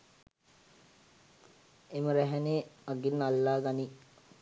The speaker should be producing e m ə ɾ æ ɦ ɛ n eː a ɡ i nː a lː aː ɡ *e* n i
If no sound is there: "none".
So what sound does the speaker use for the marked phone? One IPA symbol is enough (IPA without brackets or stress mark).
a